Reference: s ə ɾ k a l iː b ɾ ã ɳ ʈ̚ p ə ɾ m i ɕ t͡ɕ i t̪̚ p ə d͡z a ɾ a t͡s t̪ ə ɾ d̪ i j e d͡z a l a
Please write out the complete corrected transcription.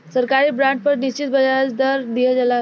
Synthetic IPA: s ə ɾ k a ɾ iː b ɾ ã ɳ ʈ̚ p ə ɾ n i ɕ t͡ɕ i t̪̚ b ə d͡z a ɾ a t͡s d̪ ə ɾ d̪ i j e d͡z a l a